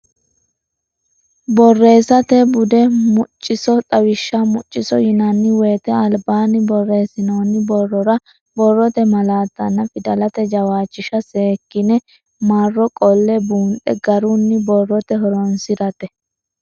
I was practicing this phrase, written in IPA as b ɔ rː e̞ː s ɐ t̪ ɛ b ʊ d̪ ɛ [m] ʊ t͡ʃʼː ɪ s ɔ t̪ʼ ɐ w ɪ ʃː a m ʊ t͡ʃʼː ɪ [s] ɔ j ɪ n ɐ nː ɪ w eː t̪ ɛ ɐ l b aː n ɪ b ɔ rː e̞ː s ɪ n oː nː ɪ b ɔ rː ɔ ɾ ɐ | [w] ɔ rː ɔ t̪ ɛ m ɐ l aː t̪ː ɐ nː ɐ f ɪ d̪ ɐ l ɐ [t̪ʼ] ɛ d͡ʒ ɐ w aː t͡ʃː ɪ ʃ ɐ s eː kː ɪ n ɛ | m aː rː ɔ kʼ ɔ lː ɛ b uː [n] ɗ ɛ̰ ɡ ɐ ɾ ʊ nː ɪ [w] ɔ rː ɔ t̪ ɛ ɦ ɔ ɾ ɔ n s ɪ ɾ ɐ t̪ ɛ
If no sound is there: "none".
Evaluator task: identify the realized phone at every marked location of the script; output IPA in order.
m, s, b, t̪, n, b

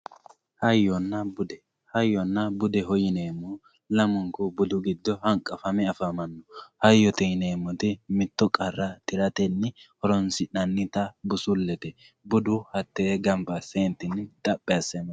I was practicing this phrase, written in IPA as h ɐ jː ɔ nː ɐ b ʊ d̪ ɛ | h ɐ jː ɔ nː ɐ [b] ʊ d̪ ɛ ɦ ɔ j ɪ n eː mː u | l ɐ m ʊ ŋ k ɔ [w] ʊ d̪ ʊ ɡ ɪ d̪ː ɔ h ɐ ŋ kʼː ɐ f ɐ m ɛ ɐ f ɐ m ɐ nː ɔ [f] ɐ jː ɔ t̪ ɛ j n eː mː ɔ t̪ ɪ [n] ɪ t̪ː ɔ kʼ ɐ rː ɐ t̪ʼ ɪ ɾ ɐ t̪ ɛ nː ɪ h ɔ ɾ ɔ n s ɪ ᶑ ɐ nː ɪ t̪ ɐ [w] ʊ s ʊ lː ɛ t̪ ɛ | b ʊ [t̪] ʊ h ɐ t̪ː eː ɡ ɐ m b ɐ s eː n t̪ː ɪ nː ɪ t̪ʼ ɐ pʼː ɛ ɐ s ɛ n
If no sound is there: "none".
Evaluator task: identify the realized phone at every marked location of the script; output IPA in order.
b, b, h, m, b, d̪

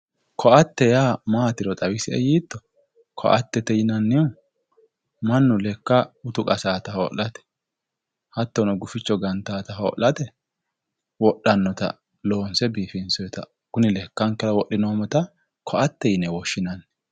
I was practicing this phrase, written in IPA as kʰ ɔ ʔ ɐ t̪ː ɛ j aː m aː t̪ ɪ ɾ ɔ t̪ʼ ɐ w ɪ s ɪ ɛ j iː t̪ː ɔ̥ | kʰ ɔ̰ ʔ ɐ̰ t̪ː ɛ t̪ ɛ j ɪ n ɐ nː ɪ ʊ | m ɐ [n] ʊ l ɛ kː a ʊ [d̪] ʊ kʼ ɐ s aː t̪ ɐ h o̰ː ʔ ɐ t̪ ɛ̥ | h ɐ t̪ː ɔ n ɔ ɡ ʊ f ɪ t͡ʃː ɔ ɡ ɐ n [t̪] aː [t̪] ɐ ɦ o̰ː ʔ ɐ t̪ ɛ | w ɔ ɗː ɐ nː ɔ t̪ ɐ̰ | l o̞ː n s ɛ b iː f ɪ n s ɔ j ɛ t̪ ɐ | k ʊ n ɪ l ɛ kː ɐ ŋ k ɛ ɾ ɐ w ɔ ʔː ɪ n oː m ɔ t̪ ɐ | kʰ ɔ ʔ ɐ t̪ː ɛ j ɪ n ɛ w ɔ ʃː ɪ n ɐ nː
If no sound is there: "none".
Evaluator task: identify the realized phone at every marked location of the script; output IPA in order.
nː, t̪, t̪, t̪

